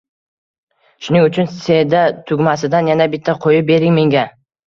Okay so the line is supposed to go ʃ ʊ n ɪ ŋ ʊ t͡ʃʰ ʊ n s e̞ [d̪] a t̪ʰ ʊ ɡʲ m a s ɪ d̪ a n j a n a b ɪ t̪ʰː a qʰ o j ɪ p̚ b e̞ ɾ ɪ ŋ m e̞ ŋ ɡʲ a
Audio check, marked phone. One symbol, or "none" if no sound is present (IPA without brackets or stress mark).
d̪